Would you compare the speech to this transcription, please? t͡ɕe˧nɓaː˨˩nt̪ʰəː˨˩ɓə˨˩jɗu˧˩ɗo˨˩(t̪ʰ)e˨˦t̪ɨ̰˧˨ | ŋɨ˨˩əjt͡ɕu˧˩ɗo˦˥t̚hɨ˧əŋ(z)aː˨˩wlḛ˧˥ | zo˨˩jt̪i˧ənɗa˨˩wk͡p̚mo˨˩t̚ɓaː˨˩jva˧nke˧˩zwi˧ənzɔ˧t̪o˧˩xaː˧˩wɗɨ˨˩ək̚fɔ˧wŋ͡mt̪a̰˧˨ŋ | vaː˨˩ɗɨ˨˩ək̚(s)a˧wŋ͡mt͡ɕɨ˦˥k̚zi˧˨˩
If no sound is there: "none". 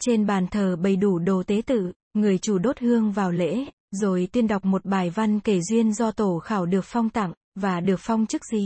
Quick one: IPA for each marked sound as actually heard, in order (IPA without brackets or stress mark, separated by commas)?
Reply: t̪, v, f